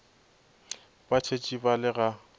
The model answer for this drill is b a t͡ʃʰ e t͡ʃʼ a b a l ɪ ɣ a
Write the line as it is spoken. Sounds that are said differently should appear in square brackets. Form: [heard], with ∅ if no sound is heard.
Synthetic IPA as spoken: b a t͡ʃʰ e t͡ʃʼ [i] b a l ɪ ɣ a